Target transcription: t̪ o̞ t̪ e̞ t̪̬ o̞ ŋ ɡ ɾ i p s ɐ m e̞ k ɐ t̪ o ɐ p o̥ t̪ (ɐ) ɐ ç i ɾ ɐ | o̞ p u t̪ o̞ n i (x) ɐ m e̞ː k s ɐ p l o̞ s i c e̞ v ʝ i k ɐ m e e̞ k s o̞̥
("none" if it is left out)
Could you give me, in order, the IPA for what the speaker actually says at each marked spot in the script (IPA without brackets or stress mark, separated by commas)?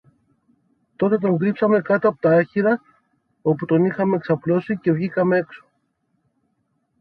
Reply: ɐ, x